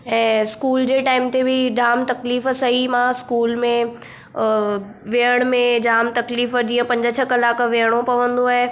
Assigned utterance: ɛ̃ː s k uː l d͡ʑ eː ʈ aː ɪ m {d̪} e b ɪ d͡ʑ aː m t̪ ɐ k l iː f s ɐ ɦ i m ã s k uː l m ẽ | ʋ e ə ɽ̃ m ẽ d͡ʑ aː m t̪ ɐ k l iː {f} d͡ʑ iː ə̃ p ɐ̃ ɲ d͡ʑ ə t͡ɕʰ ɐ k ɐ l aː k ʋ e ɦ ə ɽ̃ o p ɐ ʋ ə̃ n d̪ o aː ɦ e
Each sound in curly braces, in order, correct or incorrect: incorrect: t̪, correct

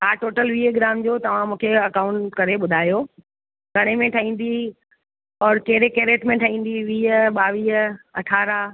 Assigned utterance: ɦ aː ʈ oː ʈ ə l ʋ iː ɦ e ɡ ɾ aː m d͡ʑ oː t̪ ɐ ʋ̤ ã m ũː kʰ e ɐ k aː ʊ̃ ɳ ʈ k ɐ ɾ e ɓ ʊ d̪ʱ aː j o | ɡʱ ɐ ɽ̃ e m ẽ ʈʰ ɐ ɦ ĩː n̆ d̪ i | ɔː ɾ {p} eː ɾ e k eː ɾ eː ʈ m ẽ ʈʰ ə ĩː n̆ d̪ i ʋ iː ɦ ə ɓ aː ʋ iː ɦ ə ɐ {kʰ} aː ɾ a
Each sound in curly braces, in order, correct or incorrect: incorrect: k, incorrect: ʈʰ

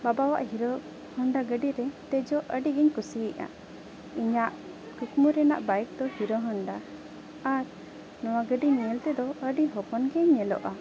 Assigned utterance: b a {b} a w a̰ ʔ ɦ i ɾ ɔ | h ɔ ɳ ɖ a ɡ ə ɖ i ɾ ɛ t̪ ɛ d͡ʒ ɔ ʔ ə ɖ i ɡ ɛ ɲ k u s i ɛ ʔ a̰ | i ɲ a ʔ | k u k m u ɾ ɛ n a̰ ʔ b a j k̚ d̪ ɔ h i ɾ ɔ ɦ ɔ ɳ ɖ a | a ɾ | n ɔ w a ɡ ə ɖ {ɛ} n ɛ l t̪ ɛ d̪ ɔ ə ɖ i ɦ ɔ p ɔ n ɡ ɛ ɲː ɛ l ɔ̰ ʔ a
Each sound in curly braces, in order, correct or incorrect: correct, incorrect: i

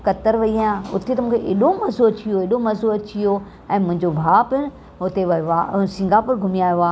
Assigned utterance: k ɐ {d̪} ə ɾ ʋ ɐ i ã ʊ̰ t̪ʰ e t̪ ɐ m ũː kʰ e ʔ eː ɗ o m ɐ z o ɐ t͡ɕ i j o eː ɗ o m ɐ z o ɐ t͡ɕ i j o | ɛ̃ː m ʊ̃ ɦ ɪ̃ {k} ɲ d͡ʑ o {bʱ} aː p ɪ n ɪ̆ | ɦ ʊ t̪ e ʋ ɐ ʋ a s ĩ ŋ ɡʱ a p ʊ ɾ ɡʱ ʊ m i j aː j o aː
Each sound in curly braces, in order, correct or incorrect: incorrect: t̪, incorrect: none, correct

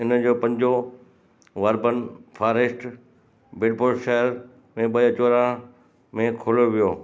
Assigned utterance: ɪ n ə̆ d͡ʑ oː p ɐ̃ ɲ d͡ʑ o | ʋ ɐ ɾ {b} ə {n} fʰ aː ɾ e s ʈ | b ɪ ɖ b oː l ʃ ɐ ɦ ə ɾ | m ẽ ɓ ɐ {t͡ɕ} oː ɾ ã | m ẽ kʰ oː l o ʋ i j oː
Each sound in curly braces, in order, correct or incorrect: correct, correct, correct

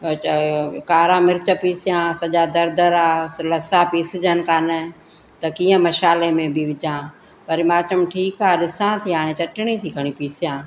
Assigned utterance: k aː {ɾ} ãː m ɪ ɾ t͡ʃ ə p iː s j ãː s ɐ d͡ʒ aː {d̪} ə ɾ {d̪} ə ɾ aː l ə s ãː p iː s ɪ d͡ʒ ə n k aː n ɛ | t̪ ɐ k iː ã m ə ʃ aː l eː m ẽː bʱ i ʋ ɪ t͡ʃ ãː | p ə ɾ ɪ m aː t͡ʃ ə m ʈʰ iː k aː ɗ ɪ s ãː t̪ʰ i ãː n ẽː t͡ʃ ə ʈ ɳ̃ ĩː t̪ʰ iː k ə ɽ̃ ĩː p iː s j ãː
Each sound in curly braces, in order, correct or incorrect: correct, correct, correct

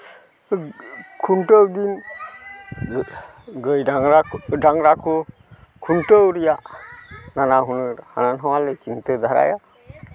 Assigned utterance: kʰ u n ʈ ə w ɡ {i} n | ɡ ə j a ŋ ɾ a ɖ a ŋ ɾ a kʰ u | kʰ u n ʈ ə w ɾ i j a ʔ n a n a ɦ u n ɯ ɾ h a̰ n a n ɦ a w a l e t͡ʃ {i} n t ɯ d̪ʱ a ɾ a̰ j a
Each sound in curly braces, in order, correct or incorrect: correct, correct

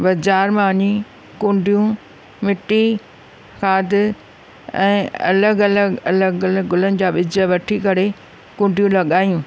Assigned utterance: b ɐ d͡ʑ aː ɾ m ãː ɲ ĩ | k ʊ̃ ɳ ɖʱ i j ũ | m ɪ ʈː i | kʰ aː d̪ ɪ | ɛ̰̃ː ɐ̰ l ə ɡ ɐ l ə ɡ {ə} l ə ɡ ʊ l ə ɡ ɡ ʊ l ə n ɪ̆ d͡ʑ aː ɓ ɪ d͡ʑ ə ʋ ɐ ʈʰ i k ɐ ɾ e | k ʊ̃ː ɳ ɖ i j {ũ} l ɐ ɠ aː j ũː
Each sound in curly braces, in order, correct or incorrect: incorrect: ɐ, correct

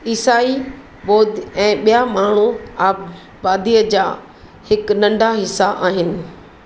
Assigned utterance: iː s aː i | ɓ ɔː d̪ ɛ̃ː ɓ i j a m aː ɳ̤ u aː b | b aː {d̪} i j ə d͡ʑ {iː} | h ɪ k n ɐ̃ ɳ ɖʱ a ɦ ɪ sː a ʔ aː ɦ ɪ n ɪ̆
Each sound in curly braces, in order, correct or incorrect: correct, incorrect: aː

